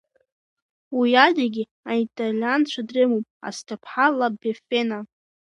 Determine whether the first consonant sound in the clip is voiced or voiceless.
voiced